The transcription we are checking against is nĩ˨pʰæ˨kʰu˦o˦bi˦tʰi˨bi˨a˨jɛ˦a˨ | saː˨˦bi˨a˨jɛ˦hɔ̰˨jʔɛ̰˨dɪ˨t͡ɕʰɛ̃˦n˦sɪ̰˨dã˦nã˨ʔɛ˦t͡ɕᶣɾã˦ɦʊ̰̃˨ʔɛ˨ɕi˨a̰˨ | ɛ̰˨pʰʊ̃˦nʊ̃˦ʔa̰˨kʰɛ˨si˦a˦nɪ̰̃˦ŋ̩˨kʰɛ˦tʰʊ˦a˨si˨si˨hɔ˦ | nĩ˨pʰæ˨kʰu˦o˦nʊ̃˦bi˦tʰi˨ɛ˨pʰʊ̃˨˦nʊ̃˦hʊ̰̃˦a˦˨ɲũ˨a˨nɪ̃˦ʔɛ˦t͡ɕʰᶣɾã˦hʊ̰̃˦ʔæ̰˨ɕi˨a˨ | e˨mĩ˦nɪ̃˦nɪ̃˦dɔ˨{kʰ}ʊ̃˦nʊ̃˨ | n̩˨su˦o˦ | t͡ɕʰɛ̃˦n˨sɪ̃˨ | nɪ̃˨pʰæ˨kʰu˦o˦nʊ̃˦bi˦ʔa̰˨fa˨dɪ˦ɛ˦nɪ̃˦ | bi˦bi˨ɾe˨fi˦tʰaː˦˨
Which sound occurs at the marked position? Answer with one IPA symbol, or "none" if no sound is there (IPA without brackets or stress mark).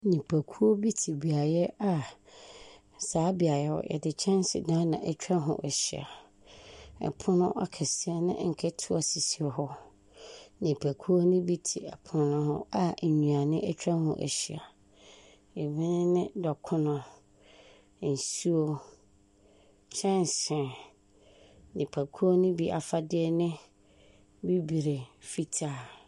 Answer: kʰ